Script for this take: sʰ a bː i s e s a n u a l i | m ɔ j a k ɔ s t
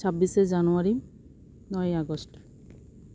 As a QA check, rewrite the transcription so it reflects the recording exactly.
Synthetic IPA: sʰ a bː i s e z a n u a ɹ i | n ɔ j a ɡ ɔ s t